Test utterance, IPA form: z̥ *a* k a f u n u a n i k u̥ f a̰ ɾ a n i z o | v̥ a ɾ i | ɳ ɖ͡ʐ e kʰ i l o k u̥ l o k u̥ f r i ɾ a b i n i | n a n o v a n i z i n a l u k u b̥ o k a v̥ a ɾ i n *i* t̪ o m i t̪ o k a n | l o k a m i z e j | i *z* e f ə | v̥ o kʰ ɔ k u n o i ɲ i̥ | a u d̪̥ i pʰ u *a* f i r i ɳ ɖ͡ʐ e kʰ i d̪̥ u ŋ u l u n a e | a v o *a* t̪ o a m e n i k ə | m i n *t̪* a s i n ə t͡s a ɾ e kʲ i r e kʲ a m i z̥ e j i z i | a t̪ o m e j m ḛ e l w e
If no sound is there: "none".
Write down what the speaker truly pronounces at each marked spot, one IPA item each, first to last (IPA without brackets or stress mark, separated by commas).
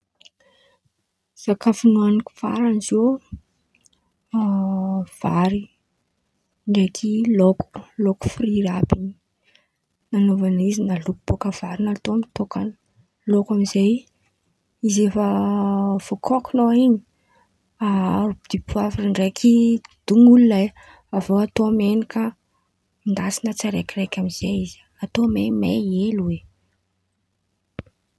a, a, z, a, a, d̪